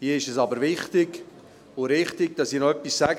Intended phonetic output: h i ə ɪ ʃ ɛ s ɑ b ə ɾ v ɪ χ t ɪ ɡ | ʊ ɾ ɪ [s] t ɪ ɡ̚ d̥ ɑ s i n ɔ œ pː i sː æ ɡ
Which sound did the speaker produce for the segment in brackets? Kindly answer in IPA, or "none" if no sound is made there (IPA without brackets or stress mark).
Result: χ